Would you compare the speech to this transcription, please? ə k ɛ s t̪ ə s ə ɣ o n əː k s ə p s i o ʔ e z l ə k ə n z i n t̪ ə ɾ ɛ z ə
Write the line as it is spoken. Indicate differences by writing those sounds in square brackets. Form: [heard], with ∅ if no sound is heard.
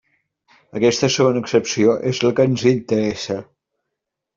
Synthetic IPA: ə k ɛ s t̪ ə s ə ɣ o n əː k s ə p s i o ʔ e z l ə k ə n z i n t̪ ə ɾ ɛ [s] ə